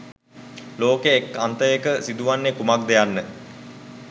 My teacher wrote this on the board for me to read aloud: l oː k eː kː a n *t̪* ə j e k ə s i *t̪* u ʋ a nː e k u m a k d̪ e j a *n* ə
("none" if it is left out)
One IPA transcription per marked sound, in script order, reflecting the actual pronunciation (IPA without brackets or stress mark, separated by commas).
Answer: t̪, d̪, nː